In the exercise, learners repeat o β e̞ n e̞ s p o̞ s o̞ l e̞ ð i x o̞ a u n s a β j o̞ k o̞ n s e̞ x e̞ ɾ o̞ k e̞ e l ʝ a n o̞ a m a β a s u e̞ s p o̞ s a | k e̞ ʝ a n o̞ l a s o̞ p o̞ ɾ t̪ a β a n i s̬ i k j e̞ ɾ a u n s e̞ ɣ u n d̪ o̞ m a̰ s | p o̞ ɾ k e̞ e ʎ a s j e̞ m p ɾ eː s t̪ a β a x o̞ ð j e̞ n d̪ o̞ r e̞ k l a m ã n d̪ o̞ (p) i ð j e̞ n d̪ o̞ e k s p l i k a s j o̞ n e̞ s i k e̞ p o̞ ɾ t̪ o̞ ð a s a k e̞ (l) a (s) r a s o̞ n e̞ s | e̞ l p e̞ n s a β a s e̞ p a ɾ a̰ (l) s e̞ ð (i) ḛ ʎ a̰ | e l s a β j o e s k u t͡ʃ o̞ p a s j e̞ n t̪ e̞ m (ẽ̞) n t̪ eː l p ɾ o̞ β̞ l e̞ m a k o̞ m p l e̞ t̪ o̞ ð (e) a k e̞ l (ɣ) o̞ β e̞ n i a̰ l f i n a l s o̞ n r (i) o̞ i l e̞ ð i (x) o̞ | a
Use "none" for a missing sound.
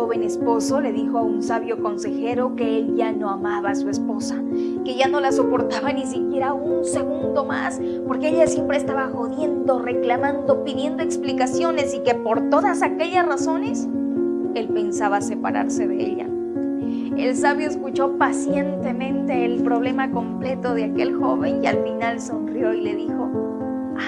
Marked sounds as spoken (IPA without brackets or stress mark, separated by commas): p, ʎ, s, ɾ, e, ẽ̞, e, x, j, x